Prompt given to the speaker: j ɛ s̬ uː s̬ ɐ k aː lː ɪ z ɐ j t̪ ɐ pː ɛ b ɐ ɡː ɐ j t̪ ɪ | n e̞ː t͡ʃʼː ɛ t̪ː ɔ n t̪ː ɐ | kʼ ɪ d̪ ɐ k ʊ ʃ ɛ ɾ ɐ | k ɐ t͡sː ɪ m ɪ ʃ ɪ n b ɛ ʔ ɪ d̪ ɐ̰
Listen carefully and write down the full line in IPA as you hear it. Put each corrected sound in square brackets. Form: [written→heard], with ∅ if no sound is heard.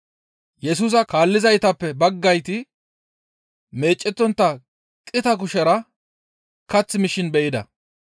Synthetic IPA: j ɛ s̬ uː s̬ ɐ k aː lː ɪ z ɐ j t̪ ɐ pː ɛ b ɐ ɡː ɐ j t̪ ɪ | [n→m] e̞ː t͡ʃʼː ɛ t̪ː ɔ n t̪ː ɐ | kʼ ɪ [d̪→t̪] ɐ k ʊ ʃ ɛ ɾ ɐ | k ɐ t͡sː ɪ m ɪ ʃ ɪ n b ɛ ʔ ɪ d̪ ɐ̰